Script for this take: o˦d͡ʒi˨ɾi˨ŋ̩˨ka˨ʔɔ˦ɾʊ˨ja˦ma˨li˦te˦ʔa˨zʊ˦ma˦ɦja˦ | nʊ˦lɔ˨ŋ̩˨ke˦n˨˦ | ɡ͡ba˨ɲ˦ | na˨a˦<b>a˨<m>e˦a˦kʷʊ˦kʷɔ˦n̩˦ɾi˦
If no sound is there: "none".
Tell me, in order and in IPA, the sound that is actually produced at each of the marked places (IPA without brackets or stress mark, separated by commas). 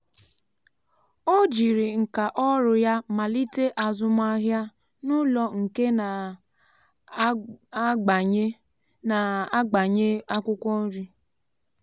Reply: ɡ͡b, ɲ